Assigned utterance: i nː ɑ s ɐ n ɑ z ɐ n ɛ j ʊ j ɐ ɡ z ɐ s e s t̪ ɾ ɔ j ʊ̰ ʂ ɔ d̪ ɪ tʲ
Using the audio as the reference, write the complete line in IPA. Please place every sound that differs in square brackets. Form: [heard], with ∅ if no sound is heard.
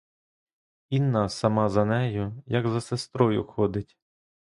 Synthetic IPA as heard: i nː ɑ s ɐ [m] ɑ z ɐ n ɛ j ʊ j ɐ ɡ z ɐ s e s t̪ ɾ ɔ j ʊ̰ [x] ɔ d̪ ɪ tʲ